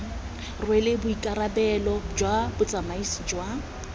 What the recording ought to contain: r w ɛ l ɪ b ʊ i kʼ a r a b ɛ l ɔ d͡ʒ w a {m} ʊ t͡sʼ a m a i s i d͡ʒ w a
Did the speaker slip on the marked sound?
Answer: yes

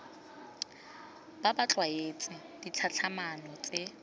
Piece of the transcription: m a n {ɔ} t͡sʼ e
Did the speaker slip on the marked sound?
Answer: no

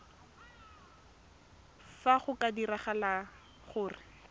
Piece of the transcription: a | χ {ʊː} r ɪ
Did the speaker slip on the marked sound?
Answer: no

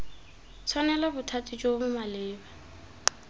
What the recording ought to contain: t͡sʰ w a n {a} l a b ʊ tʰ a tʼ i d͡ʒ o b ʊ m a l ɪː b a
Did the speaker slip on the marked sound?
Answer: yes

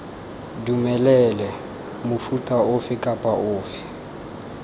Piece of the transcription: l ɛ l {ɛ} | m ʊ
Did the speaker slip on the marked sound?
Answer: no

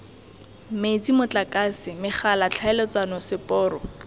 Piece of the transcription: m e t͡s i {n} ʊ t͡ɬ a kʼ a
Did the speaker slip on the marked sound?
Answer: yes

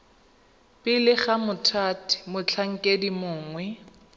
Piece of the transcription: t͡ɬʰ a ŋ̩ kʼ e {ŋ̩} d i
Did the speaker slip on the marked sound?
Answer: yes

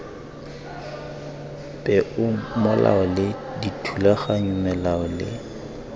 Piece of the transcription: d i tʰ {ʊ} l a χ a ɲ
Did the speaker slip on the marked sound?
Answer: yes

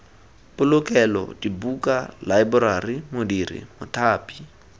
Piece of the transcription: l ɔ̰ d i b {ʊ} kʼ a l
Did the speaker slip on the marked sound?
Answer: yes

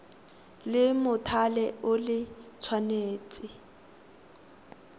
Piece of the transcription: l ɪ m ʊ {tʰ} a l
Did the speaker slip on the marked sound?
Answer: no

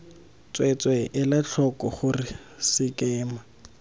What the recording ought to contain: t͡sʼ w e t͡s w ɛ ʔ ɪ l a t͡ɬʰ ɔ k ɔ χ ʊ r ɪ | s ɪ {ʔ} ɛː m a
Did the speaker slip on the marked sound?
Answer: yes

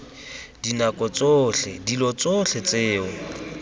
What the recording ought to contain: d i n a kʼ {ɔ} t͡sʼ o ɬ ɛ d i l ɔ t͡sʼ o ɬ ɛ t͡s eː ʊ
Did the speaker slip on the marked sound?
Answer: no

